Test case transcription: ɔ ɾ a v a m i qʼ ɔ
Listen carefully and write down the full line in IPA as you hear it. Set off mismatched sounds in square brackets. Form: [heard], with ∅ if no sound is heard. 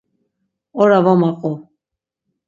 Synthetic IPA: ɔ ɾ a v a m [a] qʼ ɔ